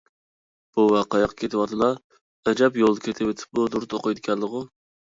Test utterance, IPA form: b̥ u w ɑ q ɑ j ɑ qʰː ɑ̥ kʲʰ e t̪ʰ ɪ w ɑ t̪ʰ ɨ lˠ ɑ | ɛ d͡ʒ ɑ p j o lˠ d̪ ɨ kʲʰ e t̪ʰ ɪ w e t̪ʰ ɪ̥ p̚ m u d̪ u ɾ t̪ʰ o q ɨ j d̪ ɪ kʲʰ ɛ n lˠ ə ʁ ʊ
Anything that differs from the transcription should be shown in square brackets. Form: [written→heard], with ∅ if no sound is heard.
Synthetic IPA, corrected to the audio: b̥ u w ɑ q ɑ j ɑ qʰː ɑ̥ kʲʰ e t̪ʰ ɪ w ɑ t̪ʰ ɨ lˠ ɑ | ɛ d͡ʒ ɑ p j o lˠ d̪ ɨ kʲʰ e t̪ʰ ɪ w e t̪ʰ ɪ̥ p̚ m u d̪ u ɾ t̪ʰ o q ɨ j d̪ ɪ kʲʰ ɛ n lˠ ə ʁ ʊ